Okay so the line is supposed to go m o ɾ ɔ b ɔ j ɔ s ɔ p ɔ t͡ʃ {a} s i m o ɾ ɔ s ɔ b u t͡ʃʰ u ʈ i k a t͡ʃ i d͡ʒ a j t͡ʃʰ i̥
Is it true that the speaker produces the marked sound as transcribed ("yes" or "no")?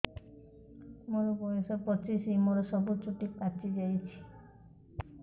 no